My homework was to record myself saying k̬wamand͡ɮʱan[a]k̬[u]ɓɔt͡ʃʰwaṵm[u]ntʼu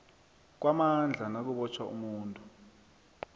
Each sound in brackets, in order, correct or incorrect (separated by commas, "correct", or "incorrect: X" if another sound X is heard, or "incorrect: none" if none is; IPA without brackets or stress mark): correct, correct, incorrect: uː